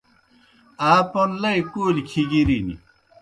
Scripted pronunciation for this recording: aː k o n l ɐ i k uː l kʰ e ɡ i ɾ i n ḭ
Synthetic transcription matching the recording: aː p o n l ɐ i k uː l kʰ i ɡ i ɾ i n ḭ

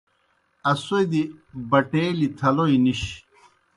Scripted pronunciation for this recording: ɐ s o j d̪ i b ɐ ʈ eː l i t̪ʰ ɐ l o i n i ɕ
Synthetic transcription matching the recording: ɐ s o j d̪ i b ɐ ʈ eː l i t̪ʰ ɐ l o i n i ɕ

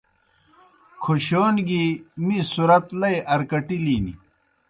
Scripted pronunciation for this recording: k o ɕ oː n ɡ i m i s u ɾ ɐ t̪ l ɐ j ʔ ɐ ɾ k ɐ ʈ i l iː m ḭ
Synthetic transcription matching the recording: kʰ o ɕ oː n ɡ i m i s u ɾ ɐ t̪ l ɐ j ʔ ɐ ɾ k ɐ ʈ i l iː n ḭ

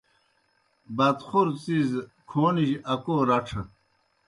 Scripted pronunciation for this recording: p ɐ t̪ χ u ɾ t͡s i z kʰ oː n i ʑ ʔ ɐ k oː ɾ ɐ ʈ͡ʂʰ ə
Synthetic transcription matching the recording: b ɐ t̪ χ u ɾ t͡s i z kʰ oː n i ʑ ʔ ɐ k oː ɾ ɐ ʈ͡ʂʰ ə

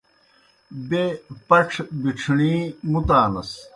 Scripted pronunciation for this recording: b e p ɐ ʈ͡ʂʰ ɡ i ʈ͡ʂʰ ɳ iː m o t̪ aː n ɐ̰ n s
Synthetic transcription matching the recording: b e p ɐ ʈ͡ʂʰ b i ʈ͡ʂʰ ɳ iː m u t̪ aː n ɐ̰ s

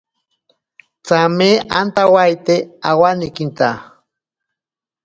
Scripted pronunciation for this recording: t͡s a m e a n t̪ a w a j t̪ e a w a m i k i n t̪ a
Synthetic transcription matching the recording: t͡s a m e a n t̪ a w a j t̪ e a w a n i k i n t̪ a

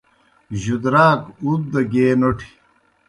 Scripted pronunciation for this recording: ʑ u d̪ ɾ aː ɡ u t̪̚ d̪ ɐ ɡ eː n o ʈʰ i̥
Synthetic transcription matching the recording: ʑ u d̪ ɾ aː k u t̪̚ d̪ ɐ ɡ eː n o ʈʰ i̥

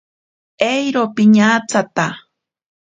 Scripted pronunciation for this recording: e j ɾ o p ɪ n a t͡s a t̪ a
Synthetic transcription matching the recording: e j ɾ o p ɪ ɲ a t͡s a t̪ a

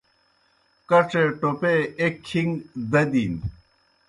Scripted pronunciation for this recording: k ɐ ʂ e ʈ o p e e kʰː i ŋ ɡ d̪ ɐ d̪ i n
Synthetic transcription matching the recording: k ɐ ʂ e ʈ o p e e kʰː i ŋ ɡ d̪ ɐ d̪ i n

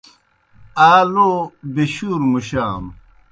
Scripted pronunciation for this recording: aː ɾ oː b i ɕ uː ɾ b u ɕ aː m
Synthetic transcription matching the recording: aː l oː b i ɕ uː ɾ m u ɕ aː m

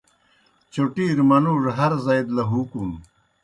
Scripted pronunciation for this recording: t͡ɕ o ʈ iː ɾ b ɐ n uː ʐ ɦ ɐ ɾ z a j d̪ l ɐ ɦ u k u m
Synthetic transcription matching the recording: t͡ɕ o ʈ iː ɾ m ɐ n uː ʐ ɦ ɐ ɾ z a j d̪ l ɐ ɦ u k u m

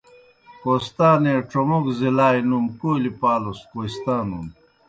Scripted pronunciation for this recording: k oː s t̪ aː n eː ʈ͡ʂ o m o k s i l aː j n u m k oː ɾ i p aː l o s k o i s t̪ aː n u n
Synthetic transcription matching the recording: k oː s t̪ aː n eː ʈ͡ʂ o m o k z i l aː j n u m k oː l i p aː l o s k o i s t̪ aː n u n

